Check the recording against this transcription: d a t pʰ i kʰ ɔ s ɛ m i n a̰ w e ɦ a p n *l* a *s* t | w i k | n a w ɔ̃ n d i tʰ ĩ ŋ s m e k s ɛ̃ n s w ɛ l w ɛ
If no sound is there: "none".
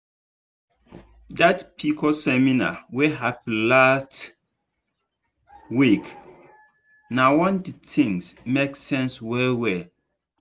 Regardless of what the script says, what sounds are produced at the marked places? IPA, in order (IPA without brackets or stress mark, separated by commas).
l, s